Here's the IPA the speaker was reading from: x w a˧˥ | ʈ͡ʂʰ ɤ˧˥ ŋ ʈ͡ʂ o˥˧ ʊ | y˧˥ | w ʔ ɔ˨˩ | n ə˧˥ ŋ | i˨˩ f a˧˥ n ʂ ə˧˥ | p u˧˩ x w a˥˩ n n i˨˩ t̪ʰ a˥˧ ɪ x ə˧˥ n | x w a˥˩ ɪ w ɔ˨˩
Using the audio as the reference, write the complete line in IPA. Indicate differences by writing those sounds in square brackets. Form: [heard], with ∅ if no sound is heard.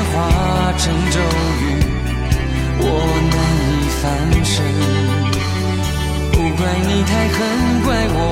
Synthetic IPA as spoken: x w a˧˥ | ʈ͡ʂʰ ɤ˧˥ ŋ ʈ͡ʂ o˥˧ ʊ | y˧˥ | w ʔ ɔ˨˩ | n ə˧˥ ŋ | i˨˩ f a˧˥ n ʂ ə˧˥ | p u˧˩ [k] w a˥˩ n n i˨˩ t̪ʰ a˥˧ ɪ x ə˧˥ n | [k] w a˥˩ ɪ w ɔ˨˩